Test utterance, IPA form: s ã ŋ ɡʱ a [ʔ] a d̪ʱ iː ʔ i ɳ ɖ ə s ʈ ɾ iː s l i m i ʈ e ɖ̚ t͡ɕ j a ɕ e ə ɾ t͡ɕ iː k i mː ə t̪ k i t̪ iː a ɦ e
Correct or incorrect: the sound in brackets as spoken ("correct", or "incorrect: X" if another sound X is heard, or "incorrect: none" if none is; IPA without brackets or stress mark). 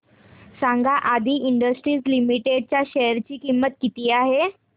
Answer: correct